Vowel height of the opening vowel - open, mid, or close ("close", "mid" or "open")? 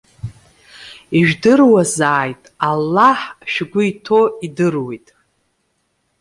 close